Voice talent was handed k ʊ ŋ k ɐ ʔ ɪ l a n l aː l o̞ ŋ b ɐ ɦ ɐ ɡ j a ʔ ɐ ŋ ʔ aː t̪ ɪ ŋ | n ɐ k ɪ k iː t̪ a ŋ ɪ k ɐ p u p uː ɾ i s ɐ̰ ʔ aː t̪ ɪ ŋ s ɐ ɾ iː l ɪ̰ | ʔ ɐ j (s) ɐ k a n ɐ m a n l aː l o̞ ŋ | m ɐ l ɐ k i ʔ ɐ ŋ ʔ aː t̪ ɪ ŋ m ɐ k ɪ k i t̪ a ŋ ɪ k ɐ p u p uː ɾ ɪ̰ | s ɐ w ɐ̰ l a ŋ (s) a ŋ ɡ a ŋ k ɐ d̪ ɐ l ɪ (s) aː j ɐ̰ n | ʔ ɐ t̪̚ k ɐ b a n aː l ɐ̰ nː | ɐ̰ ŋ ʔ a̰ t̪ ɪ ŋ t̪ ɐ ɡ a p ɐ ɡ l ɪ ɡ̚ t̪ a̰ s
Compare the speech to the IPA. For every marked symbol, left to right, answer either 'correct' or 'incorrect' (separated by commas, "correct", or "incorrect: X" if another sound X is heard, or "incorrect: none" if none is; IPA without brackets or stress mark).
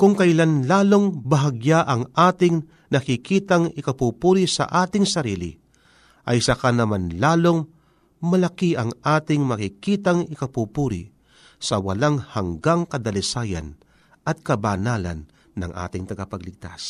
correct, incorrect: h, correct